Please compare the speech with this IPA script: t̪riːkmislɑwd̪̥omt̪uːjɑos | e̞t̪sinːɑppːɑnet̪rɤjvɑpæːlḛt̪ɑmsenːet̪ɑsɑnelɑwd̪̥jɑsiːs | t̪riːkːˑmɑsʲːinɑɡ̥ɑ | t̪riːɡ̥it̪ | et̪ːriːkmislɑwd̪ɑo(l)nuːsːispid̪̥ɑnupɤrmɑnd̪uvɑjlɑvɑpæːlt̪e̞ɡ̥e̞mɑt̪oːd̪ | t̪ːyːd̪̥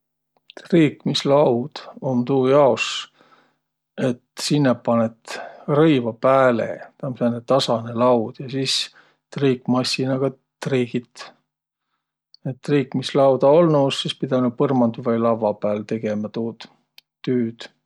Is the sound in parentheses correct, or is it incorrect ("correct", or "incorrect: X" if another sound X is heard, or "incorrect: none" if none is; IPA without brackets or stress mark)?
correct